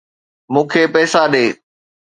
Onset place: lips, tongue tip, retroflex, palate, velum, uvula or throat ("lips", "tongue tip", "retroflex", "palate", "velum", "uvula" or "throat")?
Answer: lips